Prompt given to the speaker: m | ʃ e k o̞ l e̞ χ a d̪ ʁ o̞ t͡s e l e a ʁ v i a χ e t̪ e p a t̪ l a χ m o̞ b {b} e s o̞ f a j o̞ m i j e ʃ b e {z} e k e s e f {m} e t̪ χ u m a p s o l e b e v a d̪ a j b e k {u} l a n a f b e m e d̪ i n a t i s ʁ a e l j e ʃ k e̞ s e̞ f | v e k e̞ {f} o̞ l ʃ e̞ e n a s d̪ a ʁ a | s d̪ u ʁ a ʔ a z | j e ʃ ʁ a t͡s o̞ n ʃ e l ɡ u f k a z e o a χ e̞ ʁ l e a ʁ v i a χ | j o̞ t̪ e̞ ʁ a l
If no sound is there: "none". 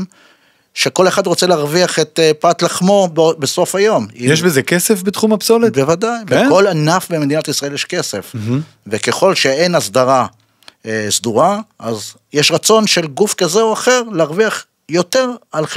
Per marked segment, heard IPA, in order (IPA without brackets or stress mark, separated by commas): b, z, b, o, χ